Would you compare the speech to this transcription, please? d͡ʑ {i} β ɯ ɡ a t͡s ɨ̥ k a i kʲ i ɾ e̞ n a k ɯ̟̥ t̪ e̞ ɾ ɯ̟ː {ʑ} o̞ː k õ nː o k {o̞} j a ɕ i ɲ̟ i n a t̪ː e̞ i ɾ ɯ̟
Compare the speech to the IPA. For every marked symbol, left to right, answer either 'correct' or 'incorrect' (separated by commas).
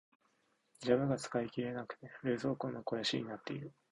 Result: incorrect, incorrect, correct